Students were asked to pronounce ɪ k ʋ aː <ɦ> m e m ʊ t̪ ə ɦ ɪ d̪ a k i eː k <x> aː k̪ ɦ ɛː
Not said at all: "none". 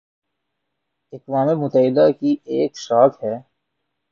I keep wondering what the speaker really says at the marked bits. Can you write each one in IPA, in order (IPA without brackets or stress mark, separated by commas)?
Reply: none, ʃ